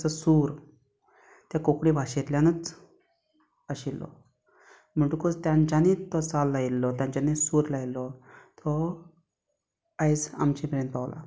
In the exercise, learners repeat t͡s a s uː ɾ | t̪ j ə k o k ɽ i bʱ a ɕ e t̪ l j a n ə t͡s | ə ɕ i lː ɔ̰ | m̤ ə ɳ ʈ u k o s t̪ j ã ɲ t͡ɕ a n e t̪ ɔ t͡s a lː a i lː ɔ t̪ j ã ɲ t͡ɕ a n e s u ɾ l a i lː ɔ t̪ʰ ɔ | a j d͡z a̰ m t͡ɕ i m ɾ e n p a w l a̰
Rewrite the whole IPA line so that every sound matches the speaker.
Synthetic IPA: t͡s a s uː ɾ | t̪ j a k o k ɽ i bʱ a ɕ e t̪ l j a n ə t͡s | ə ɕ i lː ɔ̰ | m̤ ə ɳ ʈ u k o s t̪ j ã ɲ t͡ɕ a n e t̪ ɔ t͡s a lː a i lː ɔ t̪ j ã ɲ t͡ɕ a n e s u ɾ l a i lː ɔ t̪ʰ ɔ | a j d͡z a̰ m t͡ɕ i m ɾ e n p a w l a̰